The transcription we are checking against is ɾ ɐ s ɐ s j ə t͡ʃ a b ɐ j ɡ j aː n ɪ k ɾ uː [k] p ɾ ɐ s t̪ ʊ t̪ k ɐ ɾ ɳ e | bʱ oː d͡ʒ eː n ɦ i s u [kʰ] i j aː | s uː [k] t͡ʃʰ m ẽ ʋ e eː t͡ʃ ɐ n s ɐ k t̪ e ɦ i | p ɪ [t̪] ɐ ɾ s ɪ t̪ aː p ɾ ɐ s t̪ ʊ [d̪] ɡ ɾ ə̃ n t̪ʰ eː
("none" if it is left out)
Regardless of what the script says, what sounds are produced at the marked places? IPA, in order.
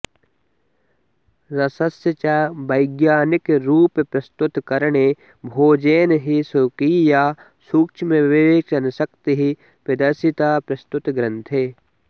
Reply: p, k, k, d̪, t̪

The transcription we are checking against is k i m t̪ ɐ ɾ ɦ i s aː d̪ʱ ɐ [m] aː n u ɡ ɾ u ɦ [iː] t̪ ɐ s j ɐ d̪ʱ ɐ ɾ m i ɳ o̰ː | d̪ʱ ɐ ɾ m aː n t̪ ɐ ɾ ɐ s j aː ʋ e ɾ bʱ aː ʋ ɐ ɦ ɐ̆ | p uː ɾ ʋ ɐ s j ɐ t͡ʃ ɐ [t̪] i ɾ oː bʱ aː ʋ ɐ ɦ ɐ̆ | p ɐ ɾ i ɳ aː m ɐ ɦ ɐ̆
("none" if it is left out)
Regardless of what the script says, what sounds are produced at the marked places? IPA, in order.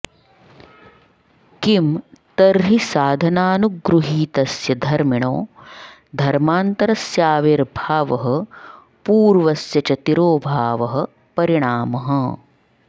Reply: n, iː, t̪

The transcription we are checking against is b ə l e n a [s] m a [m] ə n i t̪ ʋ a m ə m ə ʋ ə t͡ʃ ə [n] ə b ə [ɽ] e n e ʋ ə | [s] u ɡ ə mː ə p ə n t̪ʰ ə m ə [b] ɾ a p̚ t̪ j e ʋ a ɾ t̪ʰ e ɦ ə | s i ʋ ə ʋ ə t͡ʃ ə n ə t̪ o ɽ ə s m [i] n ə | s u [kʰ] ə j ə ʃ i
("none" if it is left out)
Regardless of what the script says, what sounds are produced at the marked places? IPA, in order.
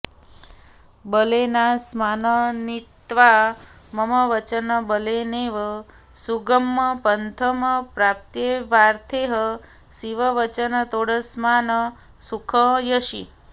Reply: s, n, n, l, s, p, a, kʰ

